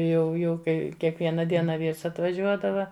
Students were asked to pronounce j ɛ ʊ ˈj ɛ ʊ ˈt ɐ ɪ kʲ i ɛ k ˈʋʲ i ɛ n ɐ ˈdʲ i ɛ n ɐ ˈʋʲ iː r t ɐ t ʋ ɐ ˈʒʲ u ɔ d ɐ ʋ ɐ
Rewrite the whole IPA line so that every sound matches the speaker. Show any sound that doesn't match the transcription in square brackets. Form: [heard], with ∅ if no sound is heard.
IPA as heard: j ɛ ʊ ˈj ɛ ʊ [ˈk] ɐ ɪ kʲ i ɛ k ˈʋʲ i ɛ n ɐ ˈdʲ i ɛ n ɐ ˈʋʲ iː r [s] ɐ t ʋ ɐ ˈʒʲ u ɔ d ɐ ʋ ɐ